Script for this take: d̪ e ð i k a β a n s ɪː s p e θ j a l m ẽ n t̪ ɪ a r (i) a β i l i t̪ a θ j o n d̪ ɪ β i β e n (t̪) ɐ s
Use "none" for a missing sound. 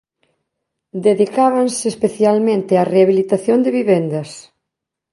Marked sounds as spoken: e, d̪

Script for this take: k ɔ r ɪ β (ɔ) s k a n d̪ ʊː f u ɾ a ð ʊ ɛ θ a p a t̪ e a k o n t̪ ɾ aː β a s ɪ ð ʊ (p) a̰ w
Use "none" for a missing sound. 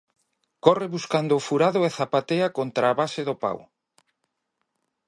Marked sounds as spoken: u, p

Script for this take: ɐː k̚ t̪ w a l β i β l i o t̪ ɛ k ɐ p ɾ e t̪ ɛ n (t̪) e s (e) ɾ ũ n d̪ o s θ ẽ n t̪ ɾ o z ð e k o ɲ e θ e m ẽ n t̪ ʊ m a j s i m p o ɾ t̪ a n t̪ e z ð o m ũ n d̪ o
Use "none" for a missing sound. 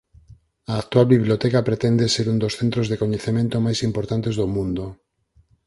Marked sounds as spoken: d̪, e

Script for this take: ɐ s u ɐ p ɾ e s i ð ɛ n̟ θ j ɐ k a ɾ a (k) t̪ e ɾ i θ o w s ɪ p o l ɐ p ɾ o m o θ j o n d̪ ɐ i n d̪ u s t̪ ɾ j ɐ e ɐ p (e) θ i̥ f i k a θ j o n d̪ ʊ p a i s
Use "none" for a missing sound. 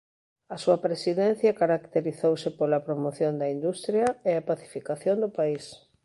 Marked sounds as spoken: k, a

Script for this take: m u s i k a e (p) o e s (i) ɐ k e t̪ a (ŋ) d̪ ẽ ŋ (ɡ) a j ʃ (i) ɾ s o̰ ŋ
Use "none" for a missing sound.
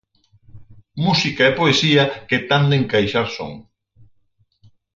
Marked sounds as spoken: p, i, n, k, a

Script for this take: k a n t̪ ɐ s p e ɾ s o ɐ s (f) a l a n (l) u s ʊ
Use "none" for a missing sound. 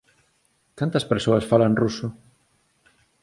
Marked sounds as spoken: f, r

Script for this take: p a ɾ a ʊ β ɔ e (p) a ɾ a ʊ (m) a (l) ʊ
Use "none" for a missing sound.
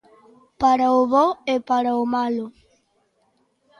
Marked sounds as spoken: p, m, l

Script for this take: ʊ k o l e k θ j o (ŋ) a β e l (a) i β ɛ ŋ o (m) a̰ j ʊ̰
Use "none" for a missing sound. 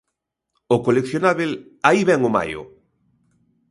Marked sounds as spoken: n, a, m

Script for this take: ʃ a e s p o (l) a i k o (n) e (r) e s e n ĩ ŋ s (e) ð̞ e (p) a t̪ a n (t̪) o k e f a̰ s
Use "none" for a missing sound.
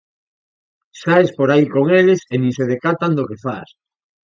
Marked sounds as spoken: ɾ, ŋ, l, e, k, d̪

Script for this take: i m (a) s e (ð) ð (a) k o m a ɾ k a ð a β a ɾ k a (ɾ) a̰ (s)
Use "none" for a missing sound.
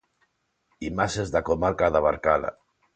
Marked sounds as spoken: a, z, a, l, none

